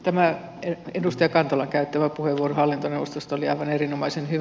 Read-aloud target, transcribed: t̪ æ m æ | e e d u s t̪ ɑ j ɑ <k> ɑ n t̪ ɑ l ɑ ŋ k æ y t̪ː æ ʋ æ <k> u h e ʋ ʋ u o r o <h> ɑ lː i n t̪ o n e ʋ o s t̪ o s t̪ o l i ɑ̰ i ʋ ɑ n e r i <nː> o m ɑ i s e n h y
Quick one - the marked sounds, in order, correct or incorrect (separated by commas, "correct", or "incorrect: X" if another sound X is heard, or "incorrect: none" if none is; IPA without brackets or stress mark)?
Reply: correct, incorrect: p, correct, incorrect: n